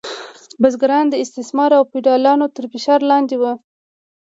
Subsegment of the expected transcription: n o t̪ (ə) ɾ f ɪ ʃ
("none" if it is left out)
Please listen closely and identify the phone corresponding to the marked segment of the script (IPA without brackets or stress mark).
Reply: ə